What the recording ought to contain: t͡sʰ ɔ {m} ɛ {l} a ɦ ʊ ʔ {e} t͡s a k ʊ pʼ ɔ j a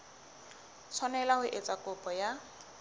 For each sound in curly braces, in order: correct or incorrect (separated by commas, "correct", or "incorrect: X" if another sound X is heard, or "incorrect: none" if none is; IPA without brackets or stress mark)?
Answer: incorrect: n, correct, correct